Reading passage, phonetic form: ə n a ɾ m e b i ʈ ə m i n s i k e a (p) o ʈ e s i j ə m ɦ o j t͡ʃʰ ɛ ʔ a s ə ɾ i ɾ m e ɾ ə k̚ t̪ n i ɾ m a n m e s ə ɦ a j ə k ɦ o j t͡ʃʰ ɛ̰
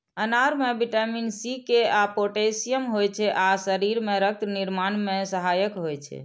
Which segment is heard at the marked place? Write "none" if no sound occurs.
p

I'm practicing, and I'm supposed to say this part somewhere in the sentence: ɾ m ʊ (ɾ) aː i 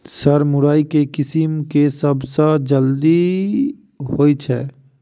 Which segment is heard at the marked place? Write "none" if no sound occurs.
ɾ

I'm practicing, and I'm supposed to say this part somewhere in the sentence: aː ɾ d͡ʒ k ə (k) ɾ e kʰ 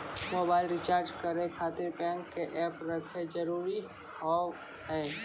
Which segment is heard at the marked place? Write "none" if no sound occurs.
none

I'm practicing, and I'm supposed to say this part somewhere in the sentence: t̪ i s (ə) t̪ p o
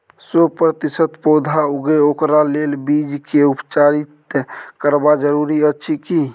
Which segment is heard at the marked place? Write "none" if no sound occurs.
ə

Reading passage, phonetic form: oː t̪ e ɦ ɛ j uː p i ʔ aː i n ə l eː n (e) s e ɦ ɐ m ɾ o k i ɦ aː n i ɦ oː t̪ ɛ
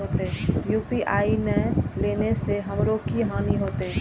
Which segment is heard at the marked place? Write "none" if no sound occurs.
e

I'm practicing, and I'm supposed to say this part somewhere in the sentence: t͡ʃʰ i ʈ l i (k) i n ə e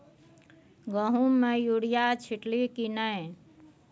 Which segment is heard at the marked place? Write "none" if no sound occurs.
k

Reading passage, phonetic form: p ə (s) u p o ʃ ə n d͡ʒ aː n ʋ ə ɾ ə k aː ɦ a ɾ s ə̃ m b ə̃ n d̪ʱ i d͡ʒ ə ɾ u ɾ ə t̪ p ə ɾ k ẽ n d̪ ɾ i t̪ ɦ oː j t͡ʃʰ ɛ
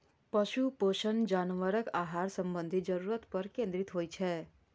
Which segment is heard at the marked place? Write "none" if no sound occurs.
ʃ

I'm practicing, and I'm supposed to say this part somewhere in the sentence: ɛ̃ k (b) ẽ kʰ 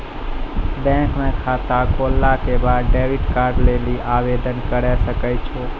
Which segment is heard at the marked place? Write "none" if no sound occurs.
m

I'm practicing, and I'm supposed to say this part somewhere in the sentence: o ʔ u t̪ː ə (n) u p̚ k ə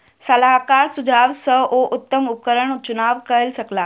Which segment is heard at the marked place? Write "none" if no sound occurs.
m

